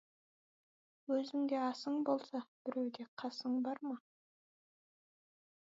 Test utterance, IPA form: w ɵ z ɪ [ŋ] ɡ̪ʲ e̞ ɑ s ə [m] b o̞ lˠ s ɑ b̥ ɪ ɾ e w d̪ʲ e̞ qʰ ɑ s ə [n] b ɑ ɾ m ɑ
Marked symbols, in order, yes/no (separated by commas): yes, no, no